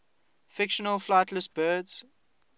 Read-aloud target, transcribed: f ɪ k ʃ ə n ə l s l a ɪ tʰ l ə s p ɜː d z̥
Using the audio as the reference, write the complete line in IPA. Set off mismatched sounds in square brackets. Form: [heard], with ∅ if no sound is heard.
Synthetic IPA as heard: f ɪ k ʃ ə n ə l [f] l a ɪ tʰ l ə s [b] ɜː d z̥

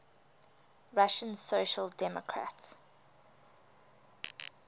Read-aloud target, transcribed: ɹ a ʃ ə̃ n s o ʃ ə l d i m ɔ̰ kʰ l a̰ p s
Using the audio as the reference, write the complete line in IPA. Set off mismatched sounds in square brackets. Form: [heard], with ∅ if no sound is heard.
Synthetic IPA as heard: ɹ a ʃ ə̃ n s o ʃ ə l d [ɛ] m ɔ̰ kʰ [ɹ] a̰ [t] s

